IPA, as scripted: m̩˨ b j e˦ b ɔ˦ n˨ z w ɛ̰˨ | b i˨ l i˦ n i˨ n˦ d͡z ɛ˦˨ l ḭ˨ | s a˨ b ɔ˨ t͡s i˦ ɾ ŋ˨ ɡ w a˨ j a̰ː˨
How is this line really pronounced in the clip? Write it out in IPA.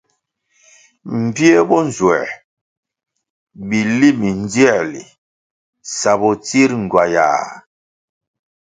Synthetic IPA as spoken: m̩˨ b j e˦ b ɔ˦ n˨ z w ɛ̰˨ | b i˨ l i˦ m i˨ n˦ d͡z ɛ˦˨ l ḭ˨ | s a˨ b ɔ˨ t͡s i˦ ɾ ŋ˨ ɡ w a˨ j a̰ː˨